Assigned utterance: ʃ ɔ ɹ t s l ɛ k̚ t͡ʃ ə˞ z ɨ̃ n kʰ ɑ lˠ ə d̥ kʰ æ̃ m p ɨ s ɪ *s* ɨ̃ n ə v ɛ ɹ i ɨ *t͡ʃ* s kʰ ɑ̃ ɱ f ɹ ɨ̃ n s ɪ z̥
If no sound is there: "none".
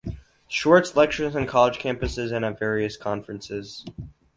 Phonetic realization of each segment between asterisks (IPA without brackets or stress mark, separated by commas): z, none